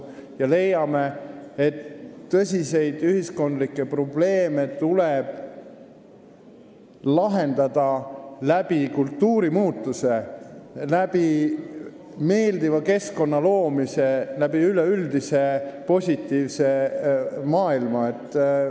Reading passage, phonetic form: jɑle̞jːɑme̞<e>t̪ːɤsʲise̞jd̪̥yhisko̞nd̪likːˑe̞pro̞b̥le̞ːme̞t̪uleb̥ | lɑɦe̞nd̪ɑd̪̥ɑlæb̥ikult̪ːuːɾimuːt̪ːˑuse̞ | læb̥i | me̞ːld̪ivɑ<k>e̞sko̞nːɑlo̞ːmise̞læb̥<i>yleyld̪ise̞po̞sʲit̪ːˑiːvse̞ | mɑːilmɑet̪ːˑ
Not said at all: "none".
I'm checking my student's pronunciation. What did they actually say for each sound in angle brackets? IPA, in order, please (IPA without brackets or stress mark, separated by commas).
e, k, i